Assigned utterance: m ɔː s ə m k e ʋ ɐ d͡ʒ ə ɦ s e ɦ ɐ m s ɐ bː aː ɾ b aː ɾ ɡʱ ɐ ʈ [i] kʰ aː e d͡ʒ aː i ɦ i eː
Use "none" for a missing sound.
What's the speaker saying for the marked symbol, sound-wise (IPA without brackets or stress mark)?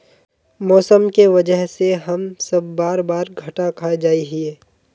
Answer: a